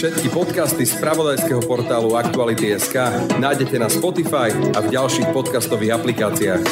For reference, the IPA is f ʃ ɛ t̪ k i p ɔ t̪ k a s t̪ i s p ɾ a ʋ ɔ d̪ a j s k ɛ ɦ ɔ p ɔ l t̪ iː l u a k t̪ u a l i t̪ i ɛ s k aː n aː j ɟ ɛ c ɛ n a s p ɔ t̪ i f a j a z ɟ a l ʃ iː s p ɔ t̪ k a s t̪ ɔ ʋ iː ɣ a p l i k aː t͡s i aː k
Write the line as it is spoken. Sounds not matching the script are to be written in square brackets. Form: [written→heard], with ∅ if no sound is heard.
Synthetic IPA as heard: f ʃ ɛ t̪ k i p ɔ t̪ k a s t̪ i s p ɾ a ʋ ɔ d̪ a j s k ɛ ɦ ɔ p ɔ [l→ɾ] t̪ [iː→aː] l u a k t̪ u a l i t̪ i ɛ s k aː n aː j ɟ ɛ c ɛ n a s p ɔ t̪ i f a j a [z→v] ɟ a l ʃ iː [s→x] p ɔ t̪ k a s t̪ ɔ ʋ iː ɣ a p l i k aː t͡s i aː [k→x]